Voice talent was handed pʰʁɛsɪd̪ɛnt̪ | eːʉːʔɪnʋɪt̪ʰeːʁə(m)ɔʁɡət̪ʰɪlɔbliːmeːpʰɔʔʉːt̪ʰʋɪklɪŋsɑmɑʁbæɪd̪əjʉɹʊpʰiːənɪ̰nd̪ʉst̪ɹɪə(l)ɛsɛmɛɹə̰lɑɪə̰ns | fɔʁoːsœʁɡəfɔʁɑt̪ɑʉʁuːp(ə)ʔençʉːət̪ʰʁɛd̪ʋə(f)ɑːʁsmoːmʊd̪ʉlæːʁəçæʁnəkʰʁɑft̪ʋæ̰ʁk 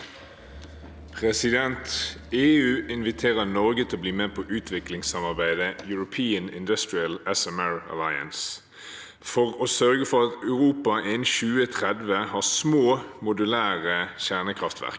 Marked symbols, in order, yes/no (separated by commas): no, yes, no, no